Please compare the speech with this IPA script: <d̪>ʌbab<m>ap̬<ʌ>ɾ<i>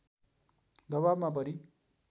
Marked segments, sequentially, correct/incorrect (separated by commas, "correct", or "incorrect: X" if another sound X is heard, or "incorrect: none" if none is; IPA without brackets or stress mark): correct, correct, correct, correct